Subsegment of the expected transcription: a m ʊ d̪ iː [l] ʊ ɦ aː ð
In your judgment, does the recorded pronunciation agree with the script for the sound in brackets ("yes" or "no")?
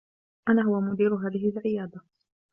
no